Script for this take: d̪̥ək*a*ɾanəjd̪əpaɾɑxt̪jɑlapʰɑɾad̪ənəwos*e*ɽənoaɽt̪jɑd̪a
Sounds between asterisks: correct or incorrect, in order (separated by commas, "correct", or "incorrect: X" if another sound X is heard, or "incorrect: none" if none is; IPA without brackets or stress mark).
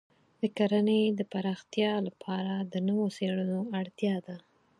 correct, correct